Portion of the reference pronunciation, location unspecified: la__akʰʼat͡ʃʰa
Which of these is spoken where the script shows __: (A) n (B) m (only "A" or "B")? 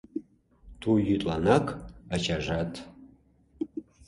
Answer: A